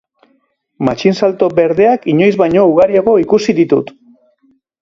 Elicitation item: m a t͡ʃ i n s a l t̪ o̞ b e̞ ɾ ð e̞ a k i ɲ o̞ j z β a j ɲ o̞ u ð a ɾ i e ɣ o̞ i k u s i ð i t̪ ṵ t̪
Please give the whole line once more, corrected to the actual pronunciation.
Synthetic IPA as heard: m a t͡ʃ i n s a l t̪ o̞ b e̞ ɾ ð e̞ a k i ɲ o̞ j z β a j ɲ o̞ u ɣ a ɾ i a ɣ o̞ i k u s i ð i t̪ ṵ t̪